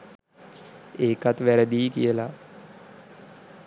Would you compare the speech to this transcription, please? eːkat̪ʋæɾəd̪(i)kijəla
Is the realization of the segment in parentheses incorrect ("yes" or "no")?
yes